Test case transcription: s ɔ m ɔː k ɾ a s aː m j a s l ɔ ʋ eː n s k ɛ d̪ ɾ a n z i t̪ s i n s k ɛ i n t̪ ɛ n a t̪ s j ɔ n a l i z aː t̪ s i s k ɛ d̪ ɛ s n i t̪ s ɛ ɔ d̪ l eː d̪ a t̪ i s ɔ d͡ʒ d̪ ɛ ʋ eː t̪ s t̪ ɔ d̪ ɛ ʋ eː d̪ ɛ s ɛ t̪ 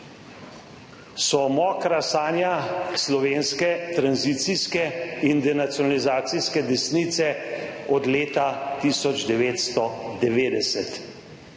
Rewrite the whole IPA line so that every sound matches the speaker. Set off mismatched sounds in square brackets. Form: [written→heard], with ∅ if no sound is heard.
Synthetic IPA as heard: s ɔ m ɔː k ɾ a s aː [m→n] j a s l ɔ ʋ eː n s k ɛ [d̪→t̪] ɾ a n z i t̪ s i [n→∅] s k ɛ i n [t̪→d̪] ɛ n a t̪ s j ɔ n a l i z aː t̪ s i s k ɛ d̪ ɛ s n i t̪ s ɛ ɔ d̪ l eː [d̪→t̪] a t̪ i s ɔ d͡ʒ d̪ ɛ ʋ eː t̪ s t̪ ɔ d̪ ɛ ʋ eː d̪ ɛ s ɛ t̪